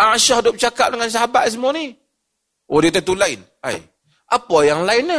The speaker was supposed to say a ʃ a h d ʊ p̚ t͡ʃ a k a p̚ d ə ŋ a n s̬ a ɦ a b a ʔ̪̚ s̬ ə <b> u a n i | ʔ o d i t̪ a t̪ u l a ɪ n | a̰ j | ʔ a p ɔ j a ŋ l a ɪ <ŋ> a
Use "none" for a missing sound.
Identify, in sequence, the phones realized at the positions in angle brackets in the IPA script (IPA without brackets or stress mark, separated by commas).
m, n